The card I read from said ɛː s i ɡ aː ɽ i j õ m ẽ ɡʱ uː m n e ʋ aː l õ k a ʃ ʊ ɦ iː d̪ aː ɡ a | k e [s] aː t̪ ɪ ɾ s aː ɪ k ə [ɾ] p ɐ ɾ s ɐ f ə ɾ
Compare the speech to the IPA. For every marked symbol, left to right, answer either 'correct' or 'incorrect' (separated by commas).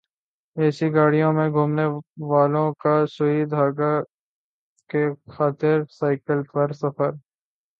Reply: incorrect, incorrect